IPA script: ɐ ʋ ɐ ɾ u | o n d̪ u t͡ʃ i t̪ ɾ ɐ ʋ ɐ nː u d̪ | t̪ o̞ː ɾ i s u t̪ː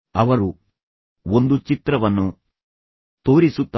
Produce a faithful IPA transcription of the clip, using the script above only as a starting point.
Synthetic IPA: ɐ ʋ ɐ ɾ u | o n d̪ u t͡ʃ i t̪ ɾ ɐ ʋ ɐ nː u | t̪ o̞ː ɾ i s u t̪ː